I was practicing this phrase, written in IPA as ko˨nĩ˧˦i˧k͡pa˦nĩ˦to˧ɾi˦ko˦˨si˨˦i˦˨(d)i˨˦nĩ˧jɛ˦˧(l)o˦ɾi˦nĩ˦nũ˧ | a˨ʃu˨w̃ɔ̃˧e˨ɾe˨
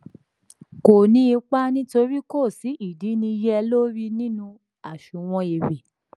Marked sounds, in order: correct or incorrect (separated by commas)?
correct, correct